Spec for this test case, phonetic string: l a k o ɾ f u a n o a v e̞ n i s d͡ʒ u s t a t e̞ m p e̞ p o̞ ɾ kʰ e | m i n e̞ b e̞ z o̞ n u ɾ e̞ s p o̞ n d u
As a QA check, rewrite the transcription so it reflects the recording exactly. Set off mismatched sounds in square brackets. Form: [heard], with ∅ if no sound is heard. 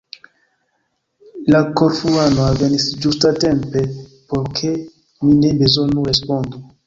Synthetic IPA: l a k o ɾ f u a n o a v e̞ n i s d͡ʒ u s t a t e̞ m p e̞ p o̞ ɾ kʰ e | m i n e̞ b e̞ z o̞ n u ɾ e̞ s p o̞ n d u

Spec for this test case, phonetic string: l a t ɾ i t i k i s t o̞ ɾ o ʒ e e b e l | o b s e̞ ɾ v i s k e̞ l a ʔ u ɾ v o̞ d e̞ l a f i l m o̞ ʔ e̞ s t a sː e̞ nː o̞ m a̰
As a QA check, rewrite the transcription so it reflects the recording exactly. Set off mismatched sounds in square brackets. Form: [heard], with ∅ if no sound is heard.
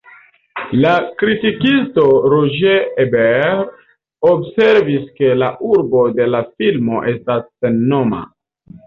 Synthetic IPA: l a [k] ɾ i t i k i s t o̞ ɾ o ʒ e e b e [ɾ] | o b s e̞ ɾ v i s k e̞ l a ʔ u ɾ [b] o̞ d e̞ l a f i l m o̞ ʔ e̞ s t a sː e̞ nː o̞ m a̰

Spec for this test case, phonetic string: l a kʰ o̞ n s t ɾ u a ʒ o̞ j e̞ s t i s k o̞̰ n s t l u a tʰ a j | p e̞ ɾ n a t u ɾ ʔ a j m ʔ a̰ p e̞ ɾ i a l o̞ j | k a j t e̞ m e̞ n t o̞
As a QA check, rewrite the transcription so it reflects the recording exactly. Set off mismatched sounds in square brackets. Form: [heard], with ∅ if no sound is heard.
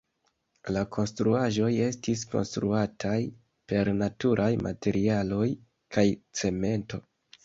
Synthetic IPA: l a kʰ o̞ n s t ɾ u a ʒ o̞ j e̞ s t i s k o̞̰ n s t [ɾ] u a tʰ a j | p e̞ ɾ n a t u ɾ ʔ a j m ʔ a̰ [t] e̞ ɾ i a l o̞ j | k a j [t͡s] e̞ m e̞ n t o̞

